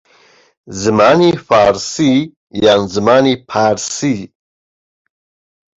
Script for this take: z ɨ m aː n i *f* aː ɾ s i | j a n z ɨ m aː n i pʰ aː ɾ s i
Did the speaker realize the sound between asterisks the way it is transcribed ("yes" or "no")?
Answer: yes